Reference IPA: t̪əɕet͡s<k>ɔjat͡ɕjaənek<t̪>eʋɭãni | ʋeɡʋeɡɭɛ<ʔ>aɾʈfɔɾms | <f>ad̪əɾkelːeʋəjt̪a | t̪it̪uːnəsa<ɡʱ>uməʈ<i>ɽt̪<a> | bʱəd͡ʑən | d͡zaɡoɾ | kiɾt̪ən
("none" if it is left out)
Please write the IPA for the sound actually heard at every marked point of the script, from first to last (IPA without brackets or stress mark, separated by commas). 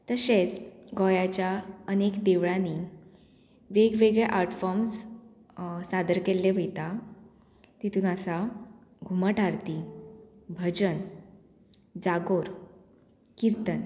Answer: ɡ, d̪, ʔ, s, ɡʱ, a, i